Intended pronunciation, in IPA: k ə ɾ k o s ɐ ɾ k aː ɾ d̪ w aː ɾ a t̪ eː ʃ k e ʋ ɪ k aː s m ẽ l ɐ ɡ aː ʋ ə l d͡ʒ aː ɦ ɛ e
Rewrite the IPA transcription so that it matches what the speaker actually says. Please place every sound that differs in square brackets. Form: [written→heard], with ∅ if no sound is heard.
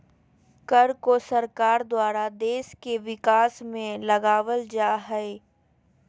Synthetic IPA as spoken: k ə ɾ k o s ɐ ɾ k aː ɾ d̪ w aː ɾ a [t̪→d̪] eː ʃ k e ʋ ɪ k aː s m ẽ l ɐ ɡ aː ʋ ə l d͡ʒ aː ɦ ɛ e

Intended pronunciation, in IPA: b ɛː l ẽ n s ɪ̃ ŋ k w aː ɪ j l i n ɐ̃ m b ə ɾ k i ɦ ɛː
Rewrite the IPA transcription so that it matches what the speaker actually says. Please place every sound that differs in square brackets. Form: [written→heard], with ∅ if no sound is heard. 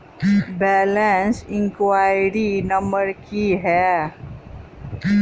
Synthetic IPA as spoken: b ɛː l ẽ n s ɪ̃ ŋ k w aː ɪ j [l→ɾ] i n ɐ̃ m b ə ɾ k i ɦ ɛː

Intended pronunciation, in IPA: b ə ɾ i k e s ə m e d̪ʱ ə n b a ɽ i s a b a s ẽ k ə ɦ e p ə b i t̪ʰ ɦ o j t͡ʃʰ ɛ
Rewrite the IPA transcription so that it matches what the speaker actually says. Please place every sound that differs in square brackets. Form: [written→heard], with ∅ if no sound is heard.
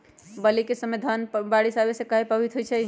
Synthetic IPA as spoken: b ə [ɾ→l] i k e s ə m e d̪ʱ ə n b a ɽ i s a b [a→e] s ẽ k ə ɦ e p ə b i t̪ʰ ɦ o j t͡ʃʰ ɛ

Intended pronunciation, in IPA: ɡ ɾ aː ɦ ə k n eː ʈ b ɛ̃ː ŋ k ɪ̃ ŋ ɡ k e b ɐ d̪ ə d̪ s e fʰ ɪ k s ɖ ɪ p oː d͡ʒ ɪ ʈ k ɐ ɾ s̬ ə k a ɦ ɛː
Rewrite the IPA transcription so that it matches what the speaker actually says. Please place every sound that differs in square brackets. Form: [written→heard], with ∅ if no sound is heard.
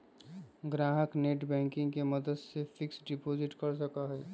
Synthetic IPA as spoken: ɡ ɾ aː ɦ ə k n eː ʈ b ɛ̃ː ŋ k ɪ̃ ŋ ɡ k e [b→m] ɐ d̪ ə d̪ s e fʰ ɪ k s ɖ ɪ p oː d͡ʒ ɪ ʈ k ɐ ɾ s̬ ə k a ɦ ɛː

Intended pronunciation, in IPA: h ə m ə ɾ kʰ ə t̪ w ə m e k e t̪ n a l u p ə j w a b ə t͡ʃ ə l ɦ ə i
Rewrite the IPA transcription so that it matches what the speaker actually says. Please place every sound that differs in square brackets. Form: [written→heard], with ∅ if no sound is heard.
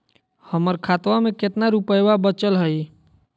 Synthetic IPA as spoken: h ə m ə ɾ kʰ [ə→a] t̪ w [ə→a] m e k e t̪ n a [l→ɾ] u p ə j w a b ə t͡ʃ ə l ɦ ə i

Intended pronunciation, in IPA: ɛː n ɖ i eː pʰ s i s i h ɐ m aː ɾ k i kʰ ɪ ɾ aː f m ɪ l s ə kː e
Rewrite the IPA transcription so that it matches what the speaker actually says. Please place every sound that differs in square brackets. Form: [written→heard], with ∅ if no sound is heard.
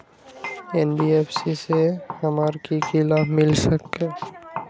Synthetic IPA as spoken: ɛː n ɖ i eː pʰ s i s [i→e] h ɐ m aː ɾ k i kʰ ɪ [ɾ→l] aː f m ɪ l s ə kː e

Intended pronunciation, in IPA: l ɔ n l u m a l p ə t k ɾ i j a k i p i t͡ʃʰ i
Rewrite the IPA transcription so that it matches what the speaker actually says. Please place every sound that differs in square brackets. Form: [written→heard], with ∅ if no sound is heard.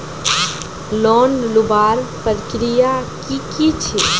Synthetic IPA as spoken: l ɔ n l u [m→b] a [l→ɾ] p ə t k ɾ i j a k i [p→k] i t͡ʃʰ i

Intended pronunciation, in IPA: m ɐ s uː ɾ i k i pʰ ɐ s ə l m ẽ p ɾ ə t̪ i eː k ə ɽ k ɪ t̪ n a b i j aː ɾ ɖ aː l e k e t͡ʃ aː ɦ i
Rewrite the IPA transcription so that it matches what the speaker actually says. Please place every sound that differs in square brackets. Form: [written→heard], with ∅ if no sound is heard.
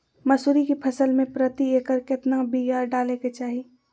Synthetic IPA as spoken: m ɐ s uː ɾ i k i pʰ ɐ s ə l m ẽ p ɾ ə t̪ i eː k ə [ɽ→ɾ] k ɪ t̪ n a b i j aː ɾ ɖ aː l e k e t͡ʃ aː ɦ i

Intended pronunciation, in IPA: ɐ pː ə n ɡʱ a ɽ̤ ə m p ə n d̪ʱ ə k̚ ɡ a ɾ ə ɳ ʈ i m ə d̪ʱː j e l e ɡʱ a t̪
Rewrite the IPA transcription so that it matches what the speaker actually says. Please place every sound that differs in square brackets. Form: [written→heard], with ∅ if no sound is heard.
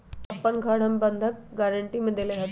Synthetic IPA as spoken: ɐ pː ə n ɡʱ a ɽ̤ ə m [p→b] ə n d̪ʱ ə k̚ ɡ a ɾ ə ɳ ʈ i m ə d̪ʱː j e l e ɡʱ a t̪

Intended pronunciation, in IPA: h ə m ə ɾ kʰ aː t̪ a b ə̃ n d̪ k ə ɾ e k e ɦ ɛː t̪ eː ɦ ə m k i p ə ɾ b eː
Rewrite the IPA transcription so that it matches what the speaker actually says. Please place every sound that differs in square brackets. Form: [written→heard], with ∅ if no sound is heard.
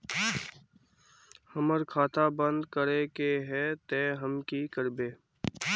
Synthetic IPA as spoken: h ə m ə ɾ kʰ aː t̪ a b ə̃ n d̪ k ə ɾ e k e ɦ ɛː t̪ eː ɦ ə m k i [p→k] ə ɾ b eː

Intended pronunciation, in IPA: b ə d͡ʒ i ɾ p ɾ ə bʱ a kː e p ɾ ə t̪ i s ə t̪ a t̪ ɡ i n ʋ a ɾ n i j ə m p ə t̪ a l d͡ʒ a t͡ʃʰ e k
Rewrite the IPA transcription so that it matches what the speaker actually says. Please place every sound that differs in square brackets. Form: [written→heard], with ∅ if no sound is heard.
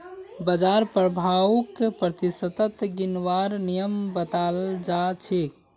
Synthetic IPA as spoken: b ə d͡ʒ [i→a] ɾ p ɾ ə bʱ a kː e p ɾ ə t̪ i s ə t̪ [a→ə] t̪ ɡ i n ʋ a ɾ n i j ə m [p→b] ə t̪ a l d͡ʒ a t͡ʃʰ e k

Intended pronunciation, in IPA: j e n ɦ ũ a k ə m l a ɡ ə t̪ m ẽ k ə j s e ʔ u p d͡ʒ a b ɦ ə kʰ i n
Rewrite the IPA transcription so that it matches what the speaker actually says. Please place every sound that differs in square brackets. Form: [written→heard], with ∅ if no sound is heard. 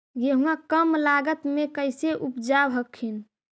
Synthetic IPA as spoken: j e [n→∅] ɦ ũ a k ə m l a ɡ ə t̪ m [ẽ→e] k ə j s e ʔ u p d͡ʒ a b ɦ ə kʰ i n

